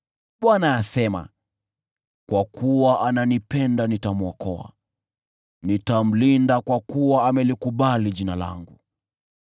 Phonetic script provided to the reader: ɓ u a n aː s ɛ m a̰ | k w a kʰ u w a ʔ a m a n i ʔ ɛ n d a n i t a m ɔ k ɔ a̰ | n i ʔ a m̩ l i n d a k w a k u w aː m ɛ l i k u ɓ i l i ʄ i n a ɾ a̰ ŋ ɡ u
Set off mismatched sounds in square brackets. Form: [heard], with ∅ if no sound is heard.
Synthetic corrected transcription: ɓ [w] a n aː s ɛ m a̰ | k w a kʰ u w a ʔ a [n] a n i [p] ɛ n d a n i t a m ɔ k ɔ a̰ | n i [t] a m̩ l i n d a k w a k u w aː m ɛ l i k u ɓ [a] l i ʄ i n a [l] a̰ ŋ ɡ u